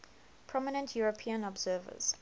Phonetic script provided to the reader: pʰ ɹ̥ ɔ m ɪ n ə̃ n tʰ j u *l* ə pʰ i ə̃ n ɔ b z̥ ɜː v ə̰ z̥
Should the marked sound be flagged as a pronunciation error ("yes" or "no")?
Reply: yes